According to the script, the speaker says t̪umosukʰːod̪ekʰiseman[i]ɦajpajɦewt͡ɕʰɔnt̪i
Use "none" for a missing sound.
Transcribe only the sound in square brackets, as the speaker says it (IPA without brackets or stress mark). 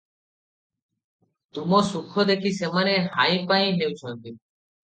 e